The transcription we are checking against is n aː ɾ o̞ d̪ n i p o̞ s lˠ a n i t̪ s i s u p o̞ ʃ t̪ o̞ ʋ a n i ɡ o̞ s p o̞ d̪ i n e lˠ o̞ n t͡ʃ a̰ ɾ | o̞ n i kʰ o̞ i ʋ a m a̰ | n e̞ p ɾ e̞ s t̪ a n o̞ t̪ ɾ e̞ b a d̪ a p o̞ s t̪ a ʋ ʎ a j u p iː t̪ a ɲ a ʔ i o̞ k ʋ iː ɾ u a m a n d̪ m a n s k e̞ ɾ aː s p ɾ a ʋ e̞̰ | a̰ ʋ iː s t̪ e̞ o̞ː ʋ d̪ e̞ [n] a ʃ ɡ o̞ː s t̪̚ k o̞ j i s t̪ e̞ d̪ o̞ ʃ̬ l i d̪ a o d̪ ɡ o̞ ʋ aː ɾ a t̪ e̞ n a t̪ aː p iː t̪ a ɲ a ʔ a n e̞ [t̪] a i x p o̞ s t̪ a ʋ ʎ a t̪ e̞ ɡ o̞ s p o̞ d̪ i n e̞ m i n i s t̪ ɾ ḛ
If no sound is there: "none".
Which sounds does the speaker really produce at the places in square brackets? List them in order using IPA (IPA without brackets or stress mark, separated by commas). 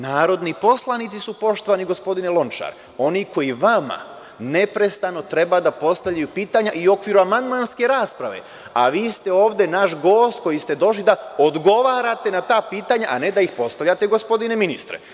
n, d̪